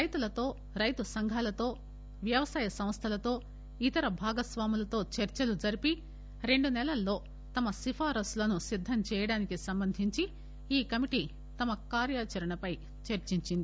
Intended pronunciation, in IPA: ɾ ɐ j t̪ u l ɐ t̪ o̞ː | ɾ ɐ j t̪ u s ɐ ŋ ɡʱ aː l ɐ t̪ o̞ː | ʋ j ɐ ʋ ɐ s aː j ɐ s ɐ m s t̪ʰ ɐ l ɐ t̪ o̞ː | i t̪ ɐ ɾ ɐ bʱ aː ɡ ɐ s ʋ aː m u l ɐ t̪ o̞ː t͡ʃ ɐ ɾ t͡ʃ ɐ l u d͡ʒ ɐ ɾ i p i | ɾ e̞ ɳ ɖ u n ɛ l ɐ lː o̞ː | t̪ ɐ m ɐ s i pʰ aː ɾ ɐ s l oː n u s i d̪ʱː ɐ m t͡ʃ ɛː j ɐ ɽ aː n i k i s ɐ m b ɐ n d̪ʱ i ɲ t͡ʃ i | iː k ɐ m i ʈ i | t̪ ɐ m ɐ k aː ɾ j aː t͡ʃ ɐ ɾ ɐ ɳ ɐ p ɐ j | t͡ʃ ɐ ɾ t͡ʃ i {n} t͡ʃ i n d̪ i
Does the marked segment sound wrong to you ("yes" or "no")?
yes